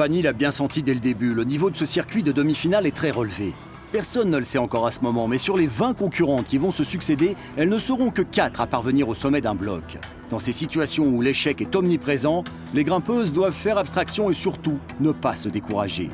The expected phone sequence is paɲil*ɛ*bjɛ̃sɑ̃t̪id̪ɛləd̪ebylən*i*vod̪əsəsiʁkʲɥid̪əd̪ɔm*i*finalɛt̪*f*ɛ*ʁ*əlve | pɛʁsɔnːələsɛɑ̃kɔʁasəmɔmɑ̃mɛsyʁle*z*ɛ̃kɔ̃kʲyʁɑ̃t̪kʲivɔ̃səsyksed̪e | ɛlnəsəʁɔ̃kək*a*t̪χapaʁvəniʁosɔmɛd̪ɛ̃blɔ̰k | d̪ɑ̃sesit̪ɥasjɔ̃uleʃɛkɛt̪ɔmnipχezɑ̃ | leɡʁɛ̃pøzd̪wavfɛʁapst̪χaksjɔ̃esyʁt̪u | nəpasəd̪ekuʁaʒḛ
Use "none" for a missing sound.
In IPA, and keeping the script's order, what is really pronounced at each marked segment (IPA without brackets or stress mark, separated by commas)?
a, i, i, χ, ʁ, v, a